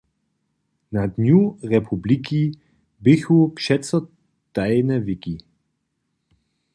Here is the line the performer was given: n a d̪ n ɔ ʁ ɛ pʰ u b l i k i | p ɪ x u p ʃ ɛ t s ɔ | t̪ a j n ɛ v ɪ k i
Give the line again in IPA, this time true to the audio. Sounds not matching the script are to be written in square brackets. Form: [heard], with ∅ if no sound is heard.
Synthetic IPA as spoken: n a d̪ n [u] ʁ ɛ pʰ u b l i k i | [b] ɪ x u p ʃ ɛ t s ɔ | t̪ a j n ɛ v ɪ k i